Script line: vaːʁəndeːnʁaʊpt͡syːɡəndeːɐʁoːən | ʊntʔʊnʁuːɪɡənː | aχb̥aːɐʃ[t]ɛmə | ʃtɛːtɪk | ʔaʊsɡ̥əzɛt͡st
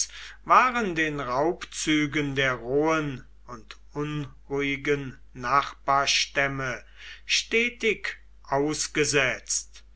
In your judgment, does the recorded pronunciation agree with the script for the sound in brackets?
yes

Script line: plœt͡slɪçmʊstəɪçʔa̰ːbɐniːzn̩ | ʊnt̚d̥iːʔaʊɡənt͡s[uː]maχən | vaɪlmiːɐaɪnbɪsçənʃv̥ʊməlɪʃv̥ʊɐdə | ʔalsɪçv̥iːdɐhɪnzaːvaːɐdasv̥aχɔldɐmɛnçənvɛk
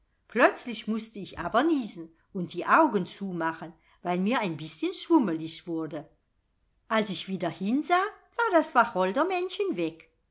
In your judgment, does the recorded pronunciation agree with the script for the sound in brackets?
yes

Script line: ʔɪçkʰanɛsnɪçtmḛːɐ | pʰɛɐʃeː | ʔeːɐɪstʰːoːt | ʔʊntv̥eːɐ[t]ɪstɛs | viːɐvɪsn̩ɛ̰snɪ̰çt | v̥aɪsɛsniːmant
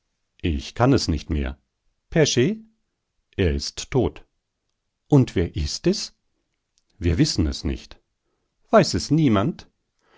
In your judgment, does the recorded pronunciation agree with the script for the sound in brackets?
no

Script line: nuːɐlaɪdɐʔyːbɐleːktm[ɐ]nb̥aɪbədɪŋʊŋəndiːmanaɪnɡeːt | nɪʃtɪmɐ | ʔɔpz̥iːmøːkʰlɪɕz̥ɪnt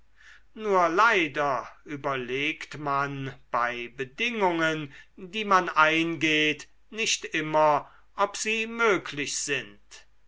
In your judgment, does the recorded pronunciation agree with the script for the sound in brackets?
no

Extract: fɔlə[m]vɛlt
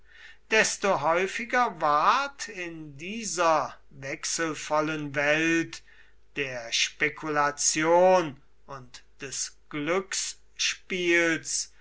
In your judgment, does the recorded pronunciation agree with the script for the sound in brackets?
no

